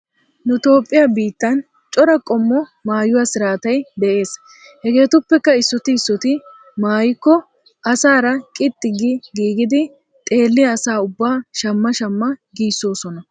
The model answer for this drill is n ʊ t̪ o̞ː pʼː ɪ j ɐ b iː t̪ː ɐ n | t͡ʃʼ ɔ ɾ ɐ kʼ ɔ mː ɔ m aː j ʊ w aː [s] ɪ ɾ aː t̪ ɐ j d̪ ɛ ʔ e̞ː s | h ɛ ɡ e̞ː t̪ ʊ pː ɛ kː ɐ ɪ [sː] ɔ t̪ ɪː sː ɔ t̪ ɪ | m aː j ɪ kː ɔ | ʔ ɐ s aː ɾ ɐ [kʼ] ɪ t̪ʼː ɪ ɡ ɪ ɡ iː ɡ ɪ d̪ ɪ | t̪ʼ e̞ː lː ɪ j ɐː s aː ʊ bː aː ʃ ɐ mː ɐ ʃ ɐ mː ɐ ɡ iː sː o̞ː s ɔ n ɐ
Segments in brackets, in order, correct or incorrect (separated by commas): correct, correct, correct